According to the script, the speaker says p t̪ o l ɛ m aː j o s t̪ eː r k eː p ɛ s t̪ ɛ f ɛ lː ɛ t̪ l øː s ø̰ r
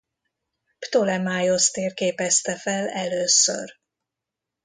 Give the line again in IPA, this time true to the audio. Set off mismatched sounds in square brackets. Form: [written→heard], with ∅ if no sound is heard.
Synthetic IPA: p t̪ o l ɛ m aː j o s t̪ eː r k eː p ɛ s t̪ ɛ f ɛ [lː→l] ɛ [t̪→∅] l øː s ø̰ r

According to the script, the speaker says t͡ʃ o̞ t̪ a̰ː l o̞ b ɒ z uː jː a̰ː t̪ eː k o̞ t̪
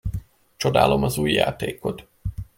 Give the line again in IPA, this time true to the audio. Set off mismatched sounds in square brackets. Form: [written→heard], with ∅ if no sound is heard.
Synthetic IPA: t͡ʃ o̞ [t̪→d̪] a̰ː l o̞ [b→m] ɒ z uː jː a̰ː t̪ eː k o̞ t̪

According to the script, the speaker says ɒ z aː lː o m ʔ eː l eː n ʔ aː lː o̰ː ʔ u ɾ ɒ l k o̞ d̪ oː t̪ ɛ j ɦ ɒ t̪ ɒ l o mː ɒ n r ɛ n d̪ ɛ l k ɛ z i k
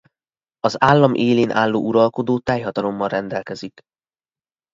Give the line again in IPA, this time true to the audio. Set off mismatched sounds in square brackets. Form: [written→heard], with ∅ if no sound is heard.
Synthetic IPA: ɒ z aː lː [o→ɒ] m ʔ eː l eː n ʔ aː lː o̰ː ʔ u ɾ ɒ l k o̞ d̪ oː t̪ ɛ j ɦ ɒ t̪ ɒ l o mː ɒ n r ɛ n d̪ ɛ l k ɛ z i k

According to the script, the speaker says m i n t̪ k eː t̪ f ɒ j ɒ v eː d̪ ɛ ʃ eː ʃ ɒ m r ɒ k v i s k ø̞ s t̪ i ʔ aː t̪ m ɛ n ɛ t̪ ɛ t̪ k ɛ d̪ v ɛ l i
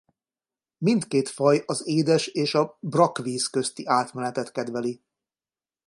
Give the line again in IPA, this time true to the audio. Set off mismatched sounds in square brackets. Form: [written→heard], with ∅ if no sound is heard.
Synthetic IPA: m i n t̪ k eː t̪ f ɒ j ɒ [v→z] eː d̪ ɛ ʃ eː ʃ ɒ [m→b] r ɒ k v [i→iː] s k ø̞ s t̪ i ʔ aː t̪ m ɛ n ɛ t̪ ɛ t̪ k ɛ d̪ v ɛ l i

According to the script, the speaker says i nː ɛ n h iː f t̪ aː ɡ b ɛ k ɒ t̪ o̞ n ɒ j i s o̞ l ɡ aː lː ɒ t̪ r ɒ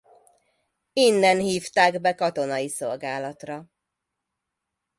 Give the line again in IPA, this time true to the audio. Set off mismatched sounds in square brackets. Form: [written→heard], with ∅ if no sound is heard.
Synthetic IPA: i nː ɛ n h iː f t̪ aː ɡ b ɛ k ɒ t̪ o̞ n ɒ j i s o̞ l ɡ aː [lː→l] ɒ t̪ r ɒ

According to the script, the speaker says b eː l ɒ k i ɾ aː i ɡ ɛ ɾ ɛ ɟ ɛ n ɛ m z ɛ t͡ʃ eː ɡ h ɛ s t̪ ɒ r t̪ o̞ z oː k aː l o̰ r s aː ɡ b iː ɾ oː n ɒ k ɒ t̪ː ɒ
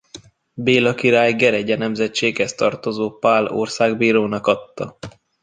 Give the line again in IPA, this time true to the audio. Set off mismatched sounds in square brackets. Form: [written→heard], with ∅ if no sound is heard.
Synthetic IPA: b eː l ɒ k i ɾ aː [i→j] ɡ ɛ ɾ ɛ ɟ ɛ n ɛ m z ɛ t͡ʃ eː ɡ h ɛ s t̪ ɒ r t̪ o̞ z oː [k→p] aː l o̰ r s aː ɡ b iː ɾ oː n ɒ k ɒ t̪ː ɒ

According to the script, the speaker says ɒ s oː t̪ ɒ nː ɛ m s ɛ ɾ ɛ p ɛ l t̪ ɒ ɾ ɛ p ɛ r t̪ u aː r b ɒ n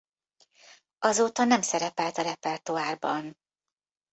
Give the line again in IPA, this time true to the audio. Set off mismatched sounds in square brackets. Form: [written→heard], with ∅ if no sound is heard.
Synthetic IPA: ɒ [s→z] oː t̪ ɒ [nː→n] ɛ m s ɛ ɾ ɛ p ɛ l t̪ ɒ ɾ ɛ p ɛ r t̪ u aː r b ɒ n

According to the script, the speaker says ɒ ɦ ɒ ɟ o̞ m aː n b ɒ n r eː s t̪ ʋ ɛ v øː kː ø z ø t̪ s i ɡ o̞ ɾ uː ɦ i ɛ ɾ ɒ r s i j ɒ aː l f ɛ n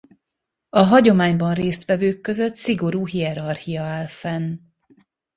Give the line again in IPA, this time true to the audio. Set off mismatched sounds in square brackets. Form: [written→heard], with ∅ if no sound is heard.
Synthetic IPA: ɒ ɦ ɒ ɟ o̞ m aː [n→ɲ] b ɒ n r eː s t̪ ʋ ɛ v øː kː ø z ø t̪ s i ɡ o̞ ɾ uː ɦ i ɛ ɾ ɒ r [s→h] i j ɒ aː l f ɛ n

